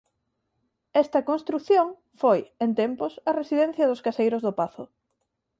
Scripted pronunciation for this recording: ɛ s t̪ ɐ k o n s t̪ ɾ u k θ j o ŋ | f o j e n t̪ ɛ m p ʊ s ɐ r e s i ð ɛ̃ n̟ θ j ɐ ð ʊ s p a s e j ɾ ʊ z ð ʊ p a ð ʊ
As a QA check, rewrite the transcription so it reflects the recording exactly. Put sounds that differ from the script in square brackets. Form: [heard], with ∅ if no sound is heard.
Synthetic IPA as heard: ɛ s t̪ ɐ k o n s t̪ ɾ u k θ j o ŋ | f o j e n t̪ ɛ m p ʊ s ɐ r e s i ð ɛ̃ n̟ θ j ɐ ð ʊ s [k] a s e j ɾ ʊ z ð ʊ p a [θ] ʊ